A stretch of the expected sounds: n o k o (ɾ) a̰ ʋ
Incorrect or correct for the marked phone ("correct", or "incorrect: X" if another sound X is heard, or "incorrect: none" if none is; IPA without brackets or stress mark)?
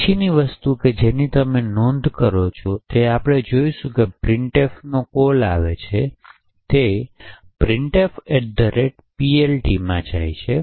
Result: incorrect: l